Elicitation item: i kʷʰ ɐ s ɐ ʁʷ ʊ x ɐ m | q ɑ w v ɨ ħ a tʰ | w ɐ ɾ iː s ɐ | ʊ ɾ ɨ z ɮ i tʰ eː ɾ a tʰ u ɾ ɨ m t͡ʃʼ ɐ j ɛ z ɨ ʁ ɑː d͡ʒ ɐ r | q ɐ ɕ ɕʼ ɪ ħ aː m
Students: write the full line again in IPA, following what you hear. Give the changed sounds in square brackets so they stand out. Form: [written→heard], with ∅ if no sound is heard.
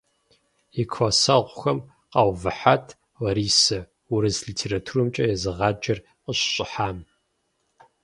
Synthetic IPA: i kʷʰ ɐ s ɐ ʁʷ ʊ x ɐ m | q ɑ w v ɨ ħ a tʰ | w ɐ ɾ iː s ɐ | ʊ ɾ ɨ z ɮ i tʰ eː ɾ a tʰ u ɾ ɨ m t͡ʃʼ ɐ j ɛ z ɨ ʁ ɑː d͡ʒ ɐ r | q [ɐ→ə] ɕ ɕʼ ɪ ħ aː m